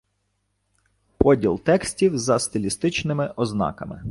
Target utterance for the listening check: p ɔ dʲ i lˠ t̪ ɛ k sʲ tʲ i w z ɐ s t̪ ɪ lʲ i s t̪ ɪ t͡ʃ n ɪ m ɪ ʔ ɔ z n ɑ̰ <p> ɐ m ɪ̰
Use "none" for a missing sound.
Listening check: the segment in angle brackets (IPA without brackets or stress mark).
k